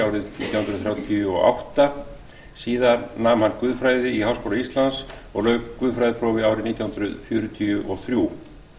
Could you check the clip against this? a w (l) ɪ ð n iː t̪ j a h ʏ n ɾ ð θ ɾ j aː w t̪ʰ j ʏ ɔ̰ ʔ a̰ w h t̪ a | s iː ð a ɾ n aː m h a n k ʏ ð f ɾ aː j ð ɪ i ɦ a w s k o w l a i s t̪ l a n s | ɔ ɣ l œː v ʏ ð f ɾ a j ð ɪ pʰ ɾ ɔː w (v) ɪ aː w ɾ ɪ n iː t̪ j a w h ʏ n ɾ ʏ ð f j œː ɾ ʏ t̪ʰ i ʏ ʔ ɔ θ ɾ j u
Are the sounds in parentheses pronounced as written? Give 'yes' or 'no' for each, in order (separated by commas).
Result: no, yes